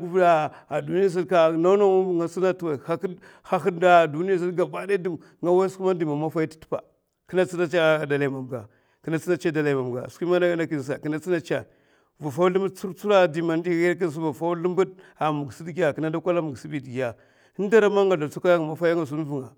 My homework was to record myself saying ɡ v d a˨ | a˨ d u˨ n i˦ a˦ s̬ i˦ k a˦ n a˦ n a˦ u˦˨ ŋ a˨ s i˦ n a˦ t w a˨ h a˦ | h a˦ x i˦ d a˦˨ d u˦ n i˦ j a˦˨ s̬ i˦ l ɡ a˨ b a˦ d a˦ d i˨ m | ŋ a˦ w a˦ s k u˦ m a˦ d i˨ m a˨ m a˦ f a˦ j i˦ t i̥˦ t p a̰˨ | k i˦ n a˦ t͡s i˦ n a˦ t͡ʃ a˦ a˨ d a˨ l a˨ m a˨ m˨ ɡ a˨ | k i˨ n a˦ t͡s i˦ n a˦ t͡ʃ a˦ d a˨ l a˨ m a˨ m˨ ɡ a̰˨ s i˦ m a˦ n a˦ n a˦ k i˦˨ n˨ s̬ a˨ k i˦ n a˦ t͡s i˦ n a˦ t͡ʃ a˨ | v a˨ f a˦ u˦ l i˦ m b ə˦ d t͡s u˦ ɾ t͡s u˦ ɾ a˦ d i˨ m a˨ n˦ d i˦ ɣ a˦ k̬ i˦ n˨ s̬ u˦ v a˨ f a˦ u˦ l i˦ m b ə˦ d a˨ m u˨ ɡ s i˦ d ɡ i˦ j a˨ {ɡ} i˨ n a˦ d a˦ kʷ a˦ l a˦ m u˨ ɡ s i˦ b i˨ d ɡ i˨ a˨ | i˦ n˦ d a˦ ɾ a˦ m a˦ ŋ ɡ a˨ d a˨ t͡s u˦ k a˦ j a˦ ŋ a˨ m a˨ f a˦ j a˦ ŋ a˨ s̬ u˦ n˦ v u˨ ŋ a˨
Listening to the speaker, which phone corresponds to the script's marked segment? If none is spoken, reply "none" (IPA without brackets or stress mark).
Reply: k